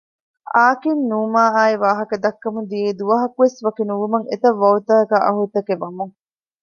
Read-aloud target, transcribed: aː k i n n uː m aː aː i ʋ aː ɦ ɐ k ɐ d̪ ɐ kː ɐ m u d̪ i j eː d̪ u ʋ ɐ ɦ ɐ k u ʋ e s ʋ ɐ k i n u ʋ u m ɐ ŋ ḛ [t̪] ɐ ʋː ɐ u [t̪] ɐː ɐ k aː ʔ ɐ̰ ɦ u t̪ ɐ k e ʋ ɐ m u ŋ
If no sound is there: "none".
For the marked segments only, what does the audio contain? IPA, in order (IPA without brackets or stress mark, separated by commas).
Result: t̪, t̪